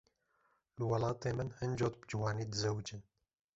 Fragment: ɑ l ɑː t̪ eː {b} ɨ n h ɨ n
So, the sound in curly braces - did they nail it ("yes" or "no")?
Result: no